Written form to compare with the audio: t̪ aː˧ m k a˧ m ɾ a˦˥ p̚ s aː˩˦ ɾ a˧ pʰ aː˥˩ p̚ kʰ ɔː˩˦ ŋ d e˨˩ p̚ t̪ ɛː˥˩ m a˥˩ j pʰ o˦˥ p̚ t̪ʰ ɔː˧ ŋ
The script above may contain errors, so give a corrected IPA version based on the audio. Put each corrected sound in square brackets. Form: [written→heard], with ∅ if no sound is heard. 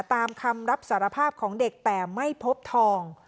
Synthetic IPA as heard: t̪ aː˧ m [k→kʰ] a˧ m ɾ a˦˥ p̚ s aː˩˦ ɾ a˧ pʰ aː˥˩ p̚ kʰ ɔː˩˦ ŋ d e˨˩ [p̚→k̚] t̪ [ɛː˥˩→ɛː˨˩] m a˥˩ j pʰ o˦˥ p̚ t̪ʰ ɔː˧ ŋ